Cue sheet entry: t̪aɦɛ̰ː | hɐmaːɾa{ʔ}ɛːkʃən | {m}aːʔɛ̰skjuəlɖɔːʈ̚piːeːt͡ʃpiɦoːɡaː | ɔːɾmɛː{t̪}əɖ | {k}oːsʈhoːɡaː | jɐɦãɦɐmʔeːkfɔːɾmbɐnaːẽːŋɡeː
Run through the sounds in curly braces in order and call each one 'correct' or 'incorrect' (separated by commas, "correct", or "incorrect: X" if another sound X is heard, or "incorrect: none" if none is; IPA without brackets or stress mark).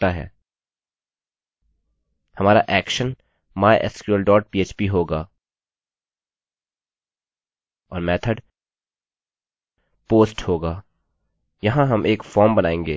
correct, correct, incorrect: t̪ʰ, incorrect: p